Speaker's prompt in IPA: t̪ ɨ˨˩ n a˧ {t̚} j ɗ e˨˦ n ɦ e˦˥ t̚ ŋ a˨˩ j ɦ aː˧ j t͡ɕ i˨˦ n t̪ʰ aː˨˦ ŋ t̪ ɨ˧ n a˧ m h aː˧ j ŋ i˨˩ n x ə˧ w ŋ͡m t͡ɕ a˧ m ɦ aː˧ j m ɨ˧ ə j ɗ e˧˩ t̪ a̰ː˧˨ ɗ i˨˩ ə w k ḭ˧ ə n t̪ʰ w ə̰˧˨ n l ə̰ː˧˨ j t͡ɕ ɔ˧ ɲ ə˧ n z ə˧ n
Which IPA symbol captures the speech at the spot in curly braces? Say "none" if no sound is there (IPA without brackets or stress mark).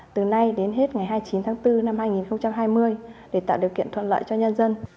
none